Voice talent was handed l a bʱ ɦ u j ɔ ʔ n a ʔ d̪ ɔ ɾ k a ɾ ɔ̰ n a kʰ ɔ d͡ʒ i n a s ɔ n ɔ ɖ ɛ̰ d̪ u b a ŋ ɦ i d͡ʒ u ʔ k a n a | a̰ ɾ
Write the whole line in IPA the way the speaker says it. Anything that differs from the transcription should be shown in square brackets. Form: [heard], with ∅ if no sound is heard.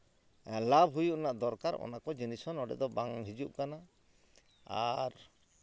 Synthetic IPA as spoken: l a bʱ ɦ u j [u] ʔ n a ʔ d̪ ɔ ɾ k a ɾ ɔ̰ n a [k] ɔ d͡ʒ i n [i] s ɔ n ɔ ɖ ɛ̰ d̪ [ɔ] b a ŋ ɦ i d͡ʒ u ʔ k a n a | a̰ ɾ